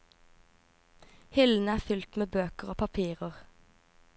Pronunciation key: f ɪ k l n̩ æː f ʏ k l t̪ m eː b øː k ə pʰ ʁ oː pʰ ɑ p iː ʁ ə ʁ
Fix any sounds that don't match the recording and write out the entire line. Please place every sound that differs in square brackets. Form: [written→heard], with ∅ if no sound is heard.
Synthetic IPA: [f→h] ɪ [k→∅] l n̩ æː f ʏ [k→∅] l t̪ m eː b øː k ə [pʰ→∅] ʁ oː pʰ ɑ [p→pʰ] iː ʁ ə ʁ